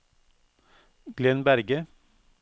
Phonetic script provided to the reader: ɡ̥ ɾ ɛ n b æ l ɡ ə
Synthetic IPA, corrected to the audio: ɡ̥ l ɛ n b æ ɾ ɡ ə